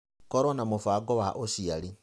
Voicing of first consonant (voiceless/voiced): voiceless